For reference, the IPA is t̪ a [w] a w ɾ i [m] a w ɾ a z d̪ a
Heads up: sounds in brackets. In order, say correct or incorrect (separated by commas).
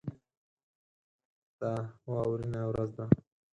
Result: correct, incorrect